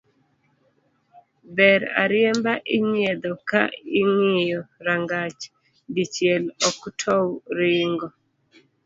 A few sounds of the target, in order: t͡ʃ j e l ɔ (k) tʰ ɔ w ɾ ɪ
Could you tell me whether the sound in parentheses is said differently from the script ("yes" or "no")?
no